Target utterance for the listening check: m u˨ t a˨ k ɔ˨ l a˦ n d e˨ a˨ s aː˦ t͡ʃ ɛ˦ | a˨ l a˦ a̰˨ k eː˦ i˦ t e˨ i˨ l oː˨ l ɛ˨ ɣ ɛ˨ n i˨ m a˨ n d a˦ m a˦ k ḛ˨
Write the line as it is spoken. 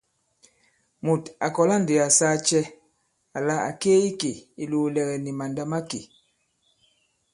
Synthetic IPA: m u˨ t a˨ k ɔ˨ l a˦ n d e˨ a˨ s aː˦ t͡ʃ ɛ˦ | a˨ l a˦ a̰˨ k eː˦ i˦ k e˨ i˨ l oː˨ l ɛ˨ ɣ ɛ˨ n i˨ m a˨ n d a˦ m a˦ k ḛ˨

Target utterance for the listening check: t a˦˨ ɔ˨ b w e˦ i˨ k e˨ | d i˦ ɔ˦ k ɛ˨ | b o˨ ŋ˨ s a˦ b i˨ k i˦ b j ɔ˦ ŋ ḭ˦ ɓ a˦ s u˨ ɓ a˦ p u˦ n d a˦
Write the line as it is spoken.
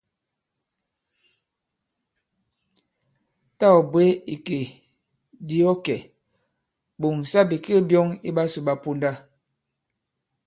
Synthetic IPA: t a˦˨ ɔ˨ b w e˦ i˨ k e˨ | d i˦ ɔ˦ k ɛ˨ | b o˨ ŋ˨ s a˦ b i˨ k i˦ b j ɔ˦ ŋ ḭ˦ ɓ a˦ s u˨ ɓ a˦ p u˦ n d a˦

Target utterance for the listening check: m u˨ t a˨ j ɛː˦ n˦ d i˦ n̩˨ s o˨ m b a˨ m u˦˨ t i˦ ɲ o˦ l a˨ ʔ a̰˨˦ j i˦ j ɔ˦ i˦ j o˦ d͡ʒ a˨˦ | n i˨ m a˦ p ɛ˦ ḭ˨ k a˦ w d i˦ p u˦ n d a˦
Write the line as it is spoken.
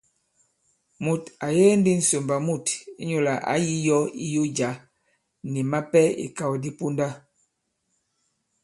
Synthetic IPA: m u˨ t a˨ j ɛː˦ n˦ d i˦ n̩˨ s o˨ m b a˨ m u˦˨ t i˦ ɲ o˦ l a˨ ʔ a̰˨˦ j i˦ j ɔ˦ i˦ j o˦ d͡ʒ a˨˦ | n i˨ m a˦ p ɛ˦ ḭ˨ k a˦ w d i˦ p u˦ n d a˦

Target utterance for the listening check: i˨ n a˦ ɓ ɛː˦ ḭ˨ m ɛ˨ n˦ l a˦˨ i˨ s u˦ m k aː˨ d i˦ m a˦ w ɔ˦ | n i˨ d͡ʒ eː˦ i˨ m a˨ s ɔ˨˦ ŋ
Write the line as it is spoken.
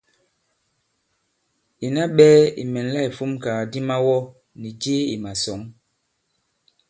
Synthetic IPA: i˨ n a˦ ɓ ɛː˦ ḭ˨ m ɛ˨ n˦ l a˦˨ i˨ f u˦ m k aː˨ d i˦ m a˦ w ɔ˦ | n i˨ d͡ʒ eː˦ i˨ m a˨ s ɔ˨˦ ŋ

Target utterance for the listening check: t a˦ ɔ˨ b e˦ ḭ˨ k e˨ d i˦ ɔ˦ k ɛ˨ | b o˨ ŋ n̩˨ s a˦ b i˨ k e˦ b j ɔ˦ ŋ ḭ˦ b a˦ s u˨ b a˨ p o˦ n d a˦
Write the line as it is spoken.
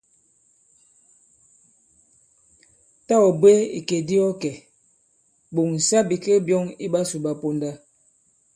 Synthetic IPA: t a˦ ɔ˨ b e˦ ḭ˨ k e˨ d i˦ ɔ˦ k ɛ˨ | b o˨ ŋ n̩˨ s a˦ b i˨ k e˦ b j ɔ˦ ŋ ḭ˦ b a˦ s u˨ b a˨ p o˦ n d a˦

